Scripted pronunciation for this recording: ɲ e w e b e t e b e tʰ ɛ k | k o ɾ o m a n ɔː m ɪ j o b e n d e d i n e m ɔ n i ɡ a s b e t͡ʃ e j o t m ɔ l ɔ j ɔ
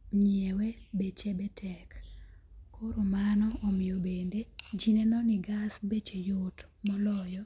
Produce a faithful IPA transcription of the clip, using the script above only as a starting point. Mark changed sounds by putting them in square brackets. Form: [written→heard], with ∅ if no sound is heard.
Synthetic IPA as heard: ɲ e w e b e [t→t͡ʃ] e b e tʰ ɛ k | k o ɾ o m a n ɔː m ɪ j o b e n d e [d→d͡ʒ] i n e [m→n] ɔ n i ɡ a s b e t͡ʃ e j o t m ɔ l ɔ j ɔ